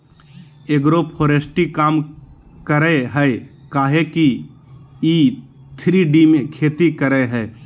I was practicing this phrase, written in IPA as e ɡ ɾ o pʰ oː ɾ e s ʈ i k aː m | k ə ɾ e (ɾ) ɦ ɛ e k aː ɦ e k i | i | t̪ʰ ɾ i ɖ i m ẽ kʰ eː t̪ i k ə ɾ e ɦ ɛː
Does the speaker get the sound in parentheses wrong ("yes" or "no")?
yes